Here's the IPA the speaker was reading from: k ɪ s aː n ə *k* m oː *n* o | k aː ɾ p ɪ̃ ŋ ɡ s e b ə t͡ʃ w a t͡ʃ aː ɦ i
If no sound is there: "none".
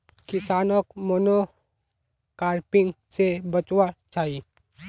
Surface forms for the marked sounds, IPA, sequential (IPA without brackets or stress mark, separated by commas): k, n